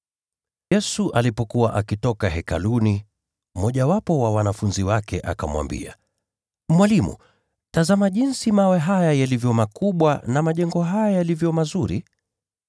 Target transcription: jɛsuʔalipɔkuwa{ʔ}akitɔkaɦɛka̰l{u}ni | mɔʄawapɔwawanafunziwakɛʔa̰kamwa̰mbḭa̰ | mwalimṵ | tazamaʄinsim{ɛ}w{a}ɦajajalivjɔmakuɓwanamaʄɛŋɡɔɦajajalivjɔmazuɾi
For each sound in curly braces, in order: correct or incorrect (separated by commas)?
correct, correct, incorrect, incorrect